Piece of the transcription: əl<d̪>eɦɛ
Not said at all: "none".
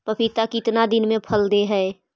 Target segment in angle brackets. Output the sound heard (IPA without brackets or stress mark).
d̪